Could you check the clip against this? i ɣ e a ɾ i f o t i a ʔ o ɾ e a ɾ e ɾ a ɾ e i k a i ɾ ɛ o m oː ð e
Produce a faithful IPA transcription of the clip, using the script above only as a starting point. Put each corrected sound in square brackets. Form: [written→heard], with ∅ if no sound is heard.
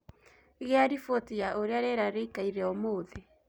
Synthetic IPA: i ɣ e a ɾ i f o t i a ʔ o ɾ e a ɾ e ɾ a ɾ e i k a i ɾ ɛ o m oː ð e